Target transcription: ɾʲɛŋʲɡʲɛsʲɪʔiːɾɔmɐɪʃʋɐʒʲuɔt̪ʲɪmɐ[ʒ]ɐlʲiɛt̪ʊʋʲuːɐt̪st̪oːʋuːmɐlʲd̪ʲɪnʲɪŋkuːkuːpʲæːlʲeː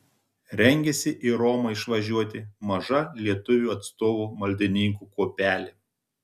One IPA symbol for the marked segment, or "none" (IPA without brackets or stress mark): ʒ